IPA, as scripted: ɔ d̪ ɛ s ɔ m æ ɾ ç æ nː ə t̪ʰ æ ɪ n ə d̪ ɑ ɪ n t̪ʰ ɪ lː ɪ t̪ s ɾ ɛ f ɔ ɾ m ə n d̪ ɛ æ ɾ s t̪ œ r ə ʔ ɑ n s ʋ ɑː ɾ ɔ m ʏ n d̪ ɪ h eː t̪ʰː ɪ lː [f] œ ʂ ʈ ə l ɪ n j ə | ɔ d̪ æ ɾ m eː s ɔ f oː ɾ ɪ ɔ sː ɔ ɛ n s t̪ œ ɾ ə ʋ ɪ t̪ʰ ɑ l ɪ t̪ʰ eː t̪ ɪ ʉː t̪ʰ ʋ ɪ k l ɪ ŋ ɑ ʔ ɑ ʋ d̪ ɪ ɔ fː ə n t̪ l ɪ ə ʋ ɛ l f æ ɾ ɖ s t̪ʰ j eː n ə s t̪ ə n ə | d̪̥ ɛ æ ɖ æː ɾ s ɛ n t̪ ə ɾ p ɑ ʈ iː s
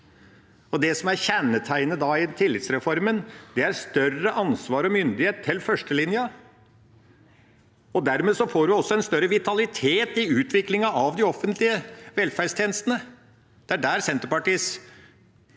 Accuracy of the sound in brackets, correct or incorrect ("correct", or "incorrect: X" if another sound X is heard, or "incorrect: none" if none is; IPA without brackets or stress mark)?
correct